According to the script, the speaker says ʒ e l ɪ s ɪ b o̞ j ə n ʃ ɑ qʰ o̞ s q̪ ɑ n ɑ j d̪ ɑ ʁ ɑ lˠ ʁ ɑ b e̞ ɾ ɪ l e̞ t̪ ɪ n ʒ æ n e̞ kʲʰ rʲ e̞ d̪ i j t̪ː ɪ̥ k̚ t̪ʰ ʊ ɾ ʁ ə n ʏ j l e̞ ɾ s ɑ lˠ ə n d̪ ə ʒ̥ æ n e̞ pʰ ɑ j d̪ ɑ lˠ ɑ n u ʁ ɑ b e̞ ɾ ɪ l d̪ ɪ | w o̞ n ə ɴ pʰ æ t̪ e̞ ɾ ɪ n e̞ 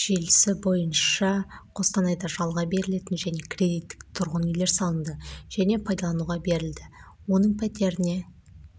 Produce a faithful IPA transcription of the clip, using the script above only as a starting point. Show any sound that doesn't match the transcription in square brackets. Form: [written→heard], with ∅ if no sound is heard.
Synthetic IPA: ʒ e l ɪ s ɪ b o̞ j ə n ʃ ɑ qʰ o̞ s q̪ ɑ n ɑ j d̪ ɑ [ʁ→ʒ] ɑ lˠ ʁ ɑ b e̞ ɾ ɪ l e̞ t̪ ɪ n ʒ æ n e̞ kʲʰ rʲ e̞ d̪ i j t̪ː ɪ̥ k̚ t̪ʰ ʊ ɾ ʁ ə n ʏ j l e̞ ɾ s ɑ lˠ ə n d̪ ə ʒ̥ æ n e̞ pʰ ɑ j d̪ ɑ lˠ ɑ n u ʁ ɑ b e̞ ɾ ɪ l d̪ ɪ | w o̞ n ə ɴ pʰ æ t̪ e̞ ɾ ɪ n e̞